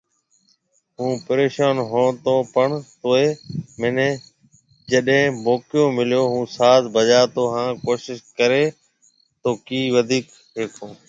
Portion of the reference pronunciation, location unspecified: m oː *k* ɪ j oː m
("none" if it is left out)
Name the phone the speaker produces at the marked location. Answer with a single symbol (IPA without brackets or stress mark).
k